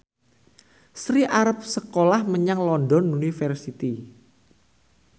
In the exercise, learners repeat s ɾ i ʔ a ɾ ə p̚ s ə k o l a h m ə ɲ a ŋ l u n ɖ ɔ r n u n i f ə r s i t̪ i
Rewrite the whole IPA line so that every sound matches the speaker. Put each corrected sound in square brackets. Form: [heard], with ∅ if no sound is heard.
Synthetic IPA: s ɾ i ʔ a ɾ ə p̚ s ə k o l a h m ə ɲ a ŋ l [ɔ] n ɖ ɔ [∅] n u n i f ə r s i t̪ i